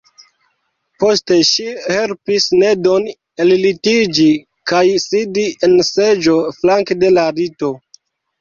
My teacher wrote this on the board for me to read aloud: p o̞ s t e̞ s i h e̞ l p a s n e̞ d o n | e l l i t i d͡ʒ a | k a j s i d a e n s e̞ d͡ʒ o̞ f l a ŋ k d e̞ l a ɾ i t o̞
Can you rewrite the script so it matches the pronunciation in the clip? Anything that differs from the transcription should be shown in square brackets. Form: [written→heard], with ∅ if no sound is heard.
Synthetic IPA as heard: p o̞ s t e̞ [s→ʃ] i h e̞ l p [a→i] s n e̞ d o n | e l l i t i d͡ʒ [a→i] | k a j s i d [a→i] e n s e̞ d͡ʒ o̞ f l a ŋ k d e̞ l a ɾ i t o̞